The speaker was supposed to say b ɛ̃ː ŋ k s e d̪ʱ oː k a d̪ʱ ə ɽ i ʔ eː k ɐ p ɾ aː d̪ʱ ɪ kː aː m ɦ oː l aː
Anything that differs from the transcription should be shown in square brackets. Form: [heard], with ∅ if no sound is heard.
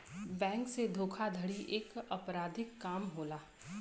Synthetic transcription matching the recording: b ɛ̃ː ŋ k s e d̪ʱ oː [kʰ] a d̪ʱ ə ɽ i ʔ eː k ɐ p ɾ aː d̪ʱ ɪ kː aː m ɦ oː l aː